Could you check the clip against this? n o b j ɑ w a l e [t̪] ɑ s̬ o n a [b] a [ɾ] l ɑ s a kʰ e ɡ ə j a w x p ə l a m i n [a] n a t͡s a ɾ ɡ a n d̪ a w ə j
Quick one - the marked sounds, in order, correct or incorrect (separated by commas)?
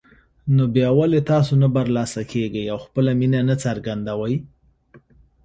correct, correct, correct, correct